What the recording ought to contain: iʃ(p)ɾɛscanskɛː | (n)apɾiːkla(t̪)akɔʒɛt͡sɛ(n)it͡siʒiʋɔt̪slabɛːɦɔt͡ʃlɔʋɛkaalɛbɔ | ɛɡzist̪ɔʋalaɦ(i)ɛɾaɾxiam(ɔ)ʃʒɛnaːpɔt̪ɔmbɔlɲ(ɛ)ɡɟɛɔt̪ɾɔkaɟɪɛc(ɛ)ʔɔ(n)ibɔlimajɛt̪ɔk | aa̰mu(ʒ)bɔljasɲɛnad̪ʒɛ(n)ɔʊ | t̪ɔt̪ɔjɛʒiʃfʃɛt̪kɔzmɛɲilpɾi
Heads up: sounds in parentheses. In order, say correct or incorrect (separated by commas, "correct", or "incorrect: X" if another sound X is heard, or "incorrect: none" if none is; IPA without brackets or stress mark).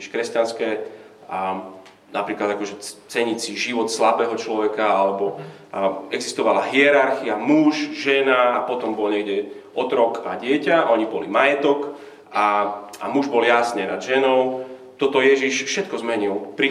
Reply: incorrect: k, correct, incorrect: d̪, incorrect: ɲ, correct, incorrect: u, correct, incorrect: a, incorrect: ɲ, correct, correct